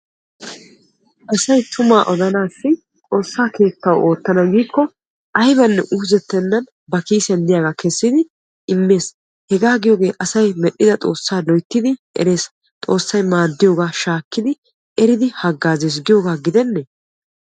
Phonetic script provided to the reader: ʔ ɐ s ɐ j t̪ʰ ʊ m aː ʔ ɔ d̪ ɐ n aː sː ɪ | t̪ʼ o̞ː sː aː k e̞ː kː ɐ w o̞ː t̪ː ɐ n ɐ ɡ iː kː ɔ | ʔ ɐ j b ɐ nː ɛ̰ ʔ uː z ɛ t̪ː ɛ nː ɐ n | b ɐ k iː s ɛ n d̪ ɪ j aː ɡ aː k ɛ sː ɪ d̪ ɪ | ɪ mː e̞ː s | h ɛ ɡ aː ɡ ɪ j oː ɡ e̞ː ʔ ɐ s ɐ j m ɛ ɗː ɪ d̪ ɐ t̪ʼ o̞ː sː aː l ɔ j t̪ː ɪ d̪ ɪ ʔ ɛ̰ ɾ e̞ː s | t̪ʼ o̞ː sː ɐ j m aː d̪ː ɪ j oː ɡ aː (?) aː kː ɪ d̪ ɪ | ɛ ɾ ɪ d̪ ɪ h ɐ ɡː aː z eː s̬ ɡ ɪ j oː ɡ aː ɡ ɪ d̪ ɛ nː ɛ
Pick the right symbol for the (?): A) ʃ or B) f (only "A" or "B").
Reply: A